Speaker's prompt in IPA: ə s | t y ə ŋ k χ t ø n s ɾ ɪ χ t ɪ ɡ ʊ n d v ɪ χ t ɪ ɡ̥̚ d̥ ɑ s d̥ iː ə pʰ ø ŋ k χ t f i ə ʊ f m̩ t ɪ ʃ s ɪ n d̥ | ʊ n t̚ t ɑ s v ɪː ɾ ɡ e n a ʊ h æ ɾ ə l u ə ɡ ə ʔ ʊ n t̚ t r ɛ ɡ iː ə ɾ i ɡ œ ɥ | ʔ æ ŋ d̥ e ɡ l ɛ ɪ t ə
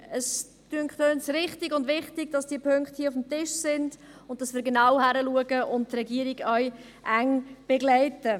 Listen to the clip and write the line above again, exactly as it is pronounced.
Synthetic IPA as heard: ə s | t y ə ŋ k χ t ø n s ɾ ɪ χ t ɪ ɡ ʊ n d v ɪ χ t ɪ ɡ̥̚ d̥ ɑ s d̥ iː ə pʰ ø ŋ k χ t h i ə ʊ f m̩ t ɪ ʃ s ɪ n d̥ | ʊ n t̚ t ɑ s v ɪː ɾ ɡ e n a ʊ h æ ɾ ə l u ə ɡ ə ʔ ʊ n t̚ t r ɛ ɡ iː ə ɾ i ɡ œ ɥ | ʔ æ ŋ b̥ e ɡ l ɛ ɪ t ə